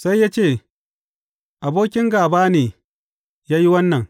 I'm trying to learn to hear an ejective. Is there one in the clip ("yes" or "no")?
no